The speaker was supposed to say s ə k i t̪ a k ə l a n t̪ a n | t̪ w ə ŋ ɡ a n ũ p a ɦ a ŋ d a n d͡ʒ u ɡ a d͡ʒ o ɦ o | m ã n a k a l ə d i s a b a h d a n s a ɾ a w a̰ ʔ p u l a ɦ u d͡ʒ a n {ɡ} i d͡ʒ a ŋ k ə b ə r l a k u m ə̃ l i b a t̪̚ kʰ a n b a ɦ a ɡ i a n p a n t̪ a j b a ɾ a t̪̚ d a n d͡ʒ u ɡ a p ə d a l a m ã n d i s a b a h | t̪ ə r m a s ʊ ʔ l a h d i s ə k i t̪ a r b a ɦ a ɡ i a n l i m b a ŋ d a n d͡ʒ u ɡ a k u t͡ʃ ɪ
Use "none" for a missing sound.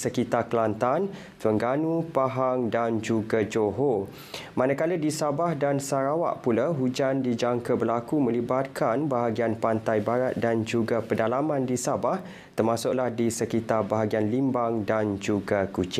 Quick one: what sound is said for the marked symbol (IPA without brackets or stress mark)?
d